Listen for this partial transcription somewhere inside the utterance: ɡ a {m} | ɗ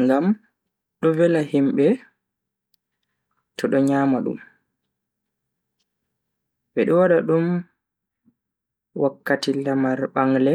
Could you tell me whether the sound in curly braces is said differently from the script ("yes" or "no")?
no